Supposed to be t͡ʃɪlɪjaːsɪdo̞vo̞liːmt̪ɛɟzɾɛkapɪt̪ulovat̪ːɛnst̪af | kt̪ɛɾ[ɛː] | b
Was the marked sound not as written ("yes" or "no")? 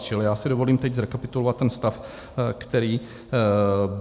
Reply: yes